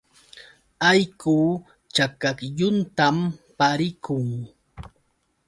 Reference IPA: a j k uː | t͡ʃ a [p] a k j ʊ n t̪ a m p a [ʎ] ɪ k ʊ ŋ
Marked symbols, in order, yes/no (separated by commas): no, no